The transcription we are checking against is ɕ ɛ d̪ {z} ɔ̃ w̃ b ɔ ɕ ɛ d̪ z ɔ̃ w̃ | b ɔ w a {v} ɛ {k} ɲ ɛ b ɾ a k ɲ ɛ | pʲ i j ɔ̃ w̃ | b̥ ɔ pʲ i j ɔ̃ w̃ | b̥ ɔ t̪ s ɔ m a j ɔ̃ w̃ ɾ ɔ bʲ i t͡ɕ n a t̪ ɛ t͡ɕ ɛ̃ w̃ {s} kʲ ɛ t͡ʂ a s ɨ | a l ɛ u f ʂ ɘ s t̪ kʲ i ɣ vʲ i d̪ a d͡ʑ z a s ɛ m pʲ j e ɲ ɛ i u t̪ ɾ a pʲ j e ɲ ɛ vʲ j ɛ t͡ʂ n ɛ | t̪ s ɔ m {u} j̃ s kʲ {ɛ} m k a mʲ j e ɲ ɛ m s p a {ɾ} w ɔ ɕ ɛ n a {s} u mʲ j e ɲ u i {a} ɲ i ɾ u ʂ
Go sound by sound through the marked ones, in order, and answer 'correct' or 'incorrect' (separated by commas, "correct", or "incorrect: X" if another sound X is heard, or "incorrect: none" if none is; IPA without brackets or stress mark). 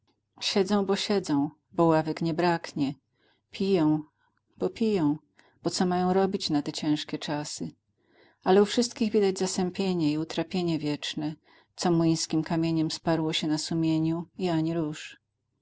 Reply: correct, correct, correct, incorrect: ʂ, correct, incorrect: i, correct, correct, correct